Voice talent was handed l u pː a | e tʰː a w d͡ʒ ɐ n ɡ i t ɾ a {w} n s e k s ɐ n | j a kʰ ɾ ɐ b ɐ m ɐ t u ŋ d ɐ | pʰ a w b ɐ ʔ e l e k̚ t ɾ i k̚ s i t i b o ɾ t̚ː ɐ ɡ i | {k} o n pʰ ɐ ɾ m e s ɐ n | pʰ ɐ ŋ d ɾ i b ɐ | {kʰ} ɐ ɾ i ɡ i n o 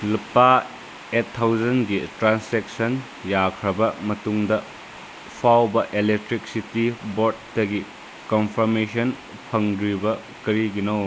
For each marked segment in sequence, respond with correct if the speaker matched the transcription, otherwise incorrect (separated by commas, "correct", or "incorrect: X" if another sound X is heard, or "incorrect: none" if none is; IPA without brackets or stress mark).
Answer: incorrect: none, correct, incorrect: k